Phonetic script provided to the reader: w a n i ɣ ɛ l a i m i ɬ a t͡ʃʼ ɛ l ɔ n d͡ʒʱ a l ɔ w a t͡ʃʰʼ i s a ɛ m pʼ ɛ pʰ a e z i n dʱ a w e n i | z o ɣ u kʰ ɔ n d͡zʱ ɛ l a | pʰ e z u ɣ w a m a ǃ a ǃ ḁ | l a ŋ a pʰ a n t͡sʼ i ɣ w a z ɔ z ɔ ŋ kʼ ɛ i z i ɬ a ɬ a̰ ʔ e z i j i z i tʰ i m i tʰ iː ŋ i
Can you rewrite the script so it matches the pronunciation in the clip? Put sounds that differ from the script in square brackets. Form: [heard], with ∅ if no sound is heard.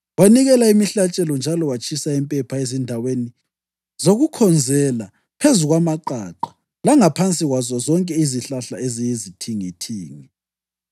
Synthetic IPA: w a n i ɣ ɛ l a i m i ɬ a t͡ʃʼ ɛ l ɔ n d͡ʒʱ a l ɔ w a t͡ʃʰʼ i s a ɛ m pʼ ɛ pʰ a e z i n dʱ a w e n i | z o ɣ u kʰ ɔ n d͡zʱ ɛ l a | pʰ e z u ɣ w a m a ǃ a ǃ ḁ | l a ŋ a pʰ a n t͡sʼ i ɣ w a z ɔ z ɔ ŋ kʼ ɛ i z i ɬ a ɬ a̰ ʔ e z i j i z i tʰ i [ŋ] i tʰ iː ŋ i